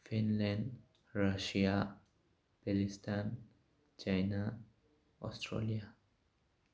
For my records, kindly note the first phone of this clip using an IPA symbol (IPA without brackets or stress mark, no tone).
f